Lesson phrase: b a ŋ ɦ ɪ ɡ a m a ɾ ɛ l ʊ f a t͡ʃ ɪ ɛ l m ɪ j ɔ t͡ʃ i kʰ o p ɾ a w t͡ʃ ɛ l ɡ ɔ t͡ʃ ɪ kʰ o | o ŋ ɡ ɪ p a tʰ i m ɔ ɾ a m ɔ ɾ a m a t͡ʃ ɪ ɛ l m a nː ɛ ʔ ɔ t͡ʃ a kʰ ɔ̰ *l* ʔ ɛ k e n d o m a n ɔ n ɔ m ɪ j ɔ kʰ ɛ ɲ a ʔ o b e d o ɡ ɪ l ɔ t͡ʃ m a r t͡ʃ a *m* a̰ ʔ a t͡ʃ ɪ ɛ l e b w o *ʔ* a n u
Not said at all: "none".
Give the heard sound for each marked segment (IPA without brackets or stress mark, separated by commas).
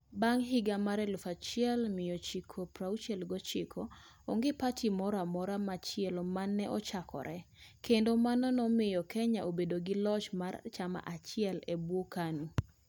ɾ, m, k